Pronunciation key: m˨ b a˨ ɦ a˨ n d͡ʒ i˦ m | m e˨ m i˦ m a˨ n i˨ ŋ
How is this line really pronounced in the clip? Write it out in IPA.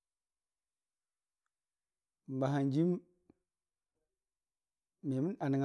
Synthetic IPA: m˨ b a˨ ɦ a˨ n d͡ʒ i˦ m | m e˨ m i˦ n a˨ n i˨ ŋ